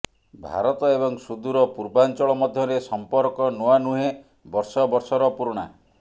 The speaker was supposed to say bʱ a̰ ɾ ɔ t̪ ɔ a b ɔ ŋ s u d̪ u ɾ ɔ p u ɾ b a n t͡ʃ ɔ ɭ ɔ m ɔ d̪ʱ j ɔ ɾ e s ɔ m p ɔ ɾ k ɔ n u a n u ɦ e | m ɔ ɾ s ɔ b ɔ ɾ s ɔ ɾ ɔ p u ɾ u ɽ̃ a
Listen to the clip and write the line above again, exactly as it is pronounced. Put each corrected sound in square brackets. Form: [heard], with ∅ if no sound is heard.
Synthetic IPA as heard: bʱ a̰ ɾ ɔ t̪ ɔ [e] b ɔ ŋ s u d̪ u ɾ ɔ p u ɾ b a n t͡ʃ ɔ ɭ ɔ m ɔ d̪ʱ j ɔ ɾ e s ɔ m p ɔ ɾ k ɔ n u a n u ɦ e | [b] ɔ ɾ s ɔ b ɔ ɾ s ɔ ɾ ɔ p u ɾ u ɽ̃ a